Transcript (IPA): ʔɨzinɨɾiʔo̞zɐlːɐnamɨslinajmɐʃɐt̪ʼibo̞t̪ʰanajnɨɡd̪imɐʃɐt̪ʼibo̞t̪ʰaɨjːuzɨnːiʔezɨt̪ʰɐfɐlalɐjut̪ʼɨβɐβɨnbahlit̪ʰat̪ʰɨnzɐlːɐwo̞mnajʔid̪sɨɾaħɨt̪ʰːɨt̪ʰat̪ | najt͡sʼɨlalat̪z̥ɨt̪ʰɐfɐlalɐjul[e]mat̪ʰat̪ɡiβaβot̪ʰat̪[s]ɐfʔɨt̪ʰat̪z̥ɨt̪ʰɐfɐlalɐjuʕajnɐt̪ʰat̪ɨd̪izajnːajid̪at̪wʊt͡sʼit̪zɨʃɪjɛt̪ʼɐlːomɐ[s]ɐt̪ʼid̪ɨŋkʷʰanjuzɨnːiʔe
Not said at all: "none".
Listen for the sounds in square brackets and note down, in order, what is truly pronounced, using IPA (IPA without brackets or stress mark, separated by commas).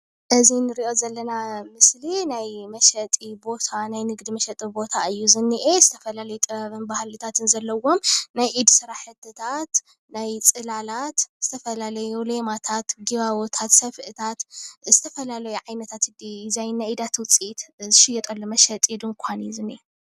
e, s, ʃ